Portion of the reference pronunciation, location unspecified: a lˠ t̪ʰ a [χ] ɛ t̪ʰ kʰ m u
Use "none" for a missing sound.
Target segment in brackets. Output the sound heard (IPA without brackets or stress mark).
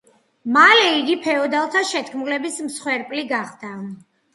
ʃ